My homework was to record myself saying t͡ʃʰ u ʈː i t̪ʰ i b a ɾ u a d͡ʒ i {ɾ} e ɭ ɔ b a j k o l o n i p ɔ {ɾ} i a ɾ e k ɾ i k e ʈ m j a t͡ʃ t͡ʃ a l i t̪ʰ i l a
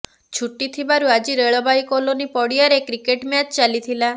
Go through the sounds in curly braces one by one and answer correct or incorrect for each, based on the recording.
correct, incorrect: ɽ

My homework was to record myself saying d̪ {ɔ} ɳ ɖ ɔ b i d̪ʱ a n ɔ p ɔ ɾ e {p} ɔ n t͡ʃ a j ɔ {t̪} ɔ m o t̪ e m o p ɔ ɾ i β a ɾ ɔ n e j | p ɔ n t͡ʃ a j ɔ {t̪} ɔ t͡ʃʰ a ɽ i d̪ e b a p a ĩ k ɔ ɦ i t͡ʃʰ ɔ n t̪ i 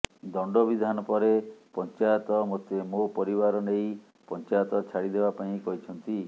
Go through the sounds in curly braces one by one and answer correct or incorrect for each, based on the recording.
correct, correct, correct, correct

